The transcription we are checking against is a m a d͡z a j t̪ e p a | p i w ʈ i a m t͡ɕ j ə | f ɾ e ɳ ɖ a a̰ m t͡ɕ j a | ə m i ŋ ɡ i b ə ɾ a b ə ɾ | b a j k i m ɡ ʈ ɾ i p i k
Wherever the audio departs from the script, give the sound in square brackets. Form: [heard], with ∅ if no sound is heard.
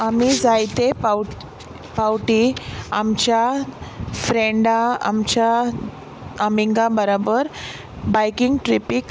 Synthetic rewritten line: a m [i] d͡z a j t̪ e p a | p [a] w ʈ i a m t͡ɕ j [a] | f ɾ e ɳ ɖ a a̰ m t͡ɕ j a | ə m i ŋ ɡ [a] b ə ɾ a b ə ɾ | b a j k i [ŋ] ɡ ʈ ɾ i p i k